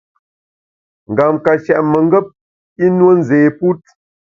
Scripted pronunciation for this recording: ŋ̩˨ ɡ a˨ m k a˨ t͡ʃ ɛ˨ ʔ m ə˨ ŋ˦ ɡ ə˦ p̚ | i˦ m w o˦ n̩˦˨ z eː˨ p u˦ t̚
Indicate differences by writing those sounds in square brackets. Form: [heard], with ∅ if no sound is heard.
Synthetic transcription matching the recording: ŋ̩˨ ɡ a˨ m k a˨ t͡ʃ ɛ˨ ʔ m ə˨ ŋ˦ ɡ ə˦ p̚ | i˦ [n] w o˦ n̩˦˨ z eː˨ p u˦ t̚